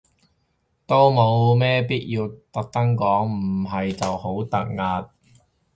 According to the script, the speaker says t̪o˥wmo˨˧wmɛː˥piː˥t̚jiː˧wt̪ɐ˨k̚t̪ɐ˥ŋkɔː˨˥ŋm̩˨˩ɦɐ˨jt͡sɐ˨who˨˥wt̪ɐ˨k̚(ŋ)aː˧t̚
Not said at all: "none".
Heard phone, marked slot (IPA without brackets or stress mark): ŋ